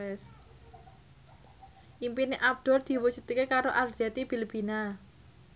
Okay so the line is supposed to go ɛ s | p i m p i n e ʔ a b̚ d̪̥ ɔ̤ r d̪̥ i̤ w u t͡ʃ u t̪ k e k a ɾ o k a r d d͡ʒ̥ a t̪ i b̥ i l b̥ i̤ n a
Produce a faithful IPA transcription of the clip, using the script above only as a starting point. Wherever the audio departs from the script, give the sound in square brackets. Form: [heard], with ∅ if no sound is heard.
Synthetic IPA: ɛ s | [ʔ] i m p i n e ʔ a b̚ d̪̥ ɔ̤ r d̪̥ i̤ w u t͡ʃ u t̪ k e k a ɾ o [ʔ] a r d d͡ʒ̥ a t̪ i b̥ i l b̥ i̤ n a